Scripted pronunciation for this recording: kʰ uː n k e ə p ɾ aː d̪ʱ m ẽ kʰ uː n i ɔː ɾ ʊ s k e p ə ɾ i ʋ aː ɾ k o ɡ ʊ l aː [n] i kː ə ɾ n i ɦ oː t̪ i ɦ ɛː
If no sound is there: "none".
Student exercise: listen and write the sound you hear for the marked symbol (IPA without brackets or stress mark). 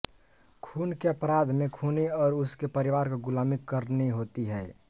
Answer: m